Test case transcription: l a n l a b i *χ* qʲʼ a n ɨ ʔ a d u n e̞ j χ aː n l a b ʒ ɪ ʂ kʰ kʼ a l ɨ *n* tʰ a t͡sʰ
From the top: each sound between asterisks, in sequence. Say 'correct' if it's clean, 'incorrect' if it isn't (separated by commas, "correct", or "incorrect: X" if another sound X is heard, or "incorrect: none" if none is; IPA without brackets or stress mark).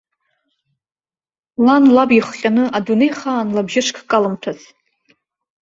correct, incorrect: m